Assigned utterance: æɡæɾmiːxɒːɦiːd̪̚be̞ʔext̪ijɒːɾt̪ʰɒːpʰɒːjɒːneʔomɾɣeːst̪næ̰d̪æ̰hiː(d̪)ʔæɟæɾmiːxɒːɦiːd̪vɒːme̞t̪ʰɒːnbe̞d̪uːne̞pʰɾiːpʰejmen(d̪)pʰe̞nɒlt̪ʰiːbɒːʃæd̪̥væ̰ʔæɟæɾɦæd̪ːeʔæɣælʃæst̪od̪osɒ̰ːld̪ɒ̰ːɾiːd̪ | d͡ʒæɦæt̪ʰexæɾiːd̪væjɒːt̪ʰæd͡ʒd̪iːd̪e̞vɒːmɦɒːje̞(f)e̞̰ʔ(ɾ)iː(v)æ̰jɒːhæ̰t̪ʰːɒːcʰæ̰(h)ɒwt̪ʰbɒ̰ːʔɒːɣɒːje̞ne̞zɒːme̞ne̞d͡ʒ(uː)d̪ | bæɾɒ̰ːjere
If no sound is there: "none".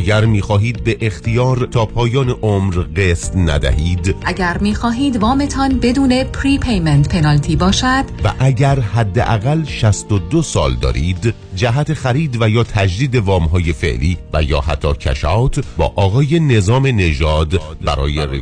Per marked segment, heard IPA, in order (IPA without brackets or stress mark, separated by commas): d̪, t̪, f, l, v, ʃ, ɒː